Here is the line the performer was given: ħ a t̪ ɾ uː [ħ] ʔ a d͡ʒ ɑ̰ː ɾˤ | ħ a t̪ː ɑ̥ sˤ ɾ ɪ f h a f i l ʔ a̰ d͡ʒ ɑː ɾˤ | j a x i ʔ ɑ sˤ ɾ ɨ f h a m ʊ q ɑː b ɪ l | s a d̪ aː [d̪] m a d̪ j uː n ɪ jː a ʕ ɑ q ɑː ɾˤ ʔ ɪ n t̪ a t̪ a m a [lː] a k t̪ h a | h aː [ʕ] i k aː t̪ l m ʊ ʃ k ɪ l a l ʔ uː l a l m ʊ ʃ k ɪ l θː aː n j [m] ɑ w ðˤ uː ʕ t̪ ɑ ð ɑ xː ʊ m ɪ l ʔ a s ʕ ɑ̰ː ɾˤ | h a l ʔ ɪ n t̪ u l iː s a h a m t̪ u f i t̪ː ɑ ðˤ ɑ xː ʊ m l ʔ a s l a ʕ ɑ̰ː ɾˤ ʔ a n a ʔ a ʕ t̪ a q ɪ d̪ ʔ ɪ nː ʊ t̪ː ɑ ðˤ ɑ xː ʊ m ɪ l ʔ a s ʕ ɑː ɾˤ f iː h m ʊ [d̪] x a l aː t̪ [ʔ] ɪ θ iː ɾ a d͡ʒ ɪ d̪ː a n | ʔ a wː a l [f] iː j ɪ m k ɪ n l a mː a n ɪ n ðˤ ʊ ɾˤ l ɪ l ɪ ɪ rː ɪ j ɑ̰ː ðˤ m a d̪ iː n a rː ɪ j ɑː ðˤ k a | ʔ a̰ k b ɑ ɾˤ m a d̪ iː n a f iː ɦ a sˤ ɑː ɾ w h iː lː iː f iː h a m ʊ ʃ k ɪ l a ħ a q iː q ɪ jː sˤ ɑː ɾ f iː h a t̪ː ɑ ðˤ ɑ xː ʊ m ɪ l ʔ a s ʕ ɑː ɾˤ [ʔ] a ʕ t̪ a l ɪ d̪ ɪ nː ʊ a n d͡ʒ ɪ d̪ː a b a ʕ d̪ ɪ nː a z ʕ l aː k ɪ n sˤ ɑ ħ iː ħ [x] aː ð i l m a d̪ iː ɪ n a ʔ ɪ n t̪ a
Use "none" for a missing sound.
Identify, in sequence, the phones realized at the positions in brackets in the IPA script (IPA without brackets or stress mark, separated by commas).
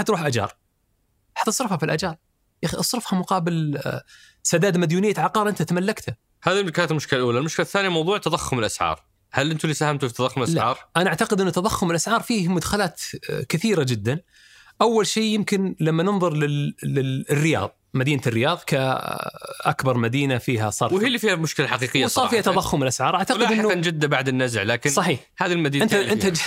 ħ, d̪, lː, ð, m, d̪, k, ʃ, ʔ, h